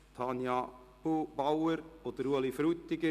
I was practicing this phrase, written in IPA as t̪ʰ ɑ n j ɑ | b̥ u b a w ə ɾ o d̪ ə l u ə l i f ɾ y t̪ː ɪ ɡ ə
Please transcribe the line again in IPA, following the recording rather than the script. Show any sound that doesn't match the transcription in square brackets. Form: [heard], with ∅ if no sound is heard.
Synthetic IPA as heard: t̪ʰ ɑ n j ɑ | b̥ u b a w ə ɾ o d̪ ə [ɾ] u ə l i f ɾ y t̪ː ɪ ɡ ə